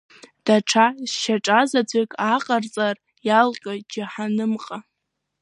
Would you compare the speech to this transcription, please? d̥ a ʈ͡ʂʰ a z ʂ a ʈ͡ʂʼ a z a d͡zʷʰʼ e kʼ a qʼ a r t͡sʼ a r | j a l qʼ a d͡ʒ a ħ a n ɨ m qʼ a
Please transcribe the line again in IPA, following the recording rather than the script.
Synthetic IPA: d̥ a ʈ͡ʂʰ a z ʃ a ʈ͡ʂʼ a z a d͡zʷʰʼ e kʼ a qʼ a r t͡sʼ a r | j a l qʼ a d͡ʒ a ħ a n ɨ m qʼ a